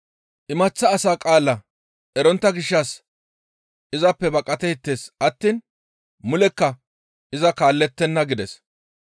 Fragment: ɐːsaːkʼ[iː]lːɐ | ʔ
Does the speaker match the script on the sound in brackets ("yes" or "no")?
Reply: no